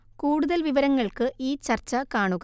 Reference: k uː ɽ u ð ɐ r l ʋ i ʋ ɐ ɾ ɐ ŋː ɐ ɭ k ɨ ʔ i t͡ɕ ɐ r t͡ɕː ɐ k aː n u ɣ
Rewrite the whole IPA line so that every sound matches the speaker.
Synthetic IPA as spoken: k uː ɽ u ð ɐ l ʋ i ʋ ɐ ɾ ɐ ŋː ɐ ɭ k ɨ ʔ iː t͡ɕ ɐ r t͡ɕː ɐ k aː ɳ u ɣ